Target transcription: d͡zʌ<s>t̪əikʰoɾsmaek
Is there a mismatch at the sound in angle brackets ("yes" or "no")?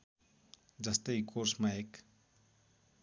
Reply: no